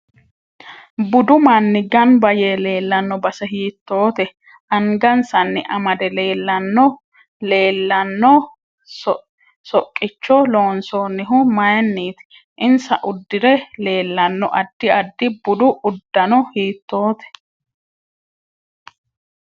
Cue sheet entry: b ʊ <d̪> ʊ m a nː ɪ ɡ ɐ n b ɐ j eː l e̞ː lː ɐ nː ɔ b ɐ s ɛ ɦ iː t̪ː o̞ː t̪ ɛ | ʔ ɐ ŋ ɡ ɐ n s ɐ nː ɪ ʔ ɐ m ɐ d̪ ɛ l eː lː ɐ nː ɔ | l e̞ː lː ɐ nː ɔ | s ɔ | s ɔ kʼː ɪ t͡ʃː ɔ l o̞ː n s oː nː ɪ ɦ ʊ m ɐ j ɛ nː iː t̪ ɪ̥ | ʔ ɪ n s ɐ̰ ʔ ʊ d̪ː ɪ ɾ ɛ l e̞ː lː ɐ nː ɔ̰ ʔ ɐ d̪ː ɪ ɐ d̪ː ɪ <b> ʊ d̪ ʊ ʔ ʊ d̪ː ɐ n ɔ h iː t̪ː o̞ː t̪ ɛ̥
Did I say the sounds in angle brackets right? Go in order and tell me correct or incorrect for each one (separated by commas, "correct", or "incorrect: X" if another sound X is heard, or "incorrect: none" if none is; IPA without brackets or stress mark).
correct, correct